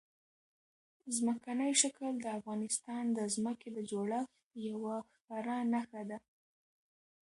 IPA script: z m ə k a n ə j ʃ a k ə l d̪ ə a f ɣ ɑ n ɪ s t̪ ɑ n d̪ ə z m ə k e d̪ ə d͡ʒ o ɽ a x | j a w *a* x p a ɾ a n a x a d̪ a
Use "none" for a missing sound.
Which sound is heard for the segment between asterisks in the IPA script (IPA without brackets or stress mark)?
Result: a